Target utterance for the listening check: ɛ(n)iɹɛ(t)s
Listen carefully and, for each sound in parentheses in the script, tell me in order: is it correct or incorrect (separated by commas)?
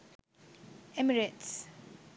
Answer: incorrect, correct